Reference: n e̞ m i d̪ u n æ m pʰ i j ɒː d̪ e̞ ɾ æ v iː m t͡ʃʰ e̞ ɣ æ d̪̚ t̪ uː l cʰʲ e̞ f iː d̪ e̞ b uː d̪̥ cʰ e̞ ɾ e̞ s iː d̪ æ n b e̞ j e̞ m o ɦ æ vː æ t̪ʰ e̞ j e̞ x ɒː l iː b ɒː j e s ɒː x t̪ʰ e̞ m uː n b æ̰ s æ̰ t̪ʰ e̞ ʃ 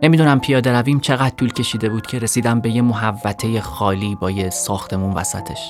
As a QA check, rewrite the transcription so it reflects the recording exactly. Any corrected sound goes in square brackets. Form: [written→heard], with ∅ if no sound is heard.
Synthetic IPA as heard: n e̞ m i d̪ u n æ m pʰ i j ɒː d̪ e̞ ɾ æ v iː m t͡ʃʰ e̞ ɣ æ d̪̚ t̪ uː l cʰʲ e̞ [f→ʃ] iː d̪ e̞ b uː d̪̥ cʰ e̞ ɾ e̞ s iː d̪ æ [n→m] b e̞ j e̞ m o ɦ æ vː æ t̪ʰ e̞ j e̞ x ɒː l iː b ɒː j e s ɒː x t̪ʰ e̞ m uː n [b→v] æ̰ s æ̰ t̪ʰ e̞ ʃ